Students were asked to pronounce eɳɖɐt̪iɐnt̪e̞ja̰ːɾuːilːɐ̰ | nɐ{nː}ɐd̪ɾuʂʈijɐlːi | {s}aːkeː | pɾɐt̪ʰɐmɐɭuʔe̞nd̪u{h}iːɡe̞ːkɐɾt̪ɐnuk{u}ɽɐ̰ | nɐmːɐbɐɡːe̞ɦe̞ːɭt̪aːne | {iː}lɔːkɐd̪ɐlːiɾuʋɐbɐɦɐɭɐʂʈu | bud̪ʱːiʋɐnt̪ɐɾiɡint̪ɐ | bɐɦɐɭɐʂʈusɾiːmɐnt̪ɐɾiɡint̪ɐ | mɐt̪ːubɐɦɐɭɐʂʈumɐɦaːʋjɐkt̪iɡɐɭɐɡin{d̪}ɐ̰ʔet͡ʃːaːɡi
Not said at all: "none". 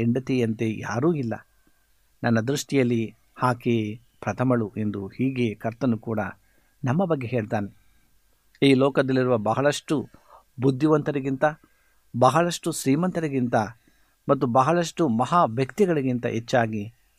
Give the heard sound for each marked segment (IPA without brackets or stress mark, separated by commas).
nː, h, h, uː, iː, t̪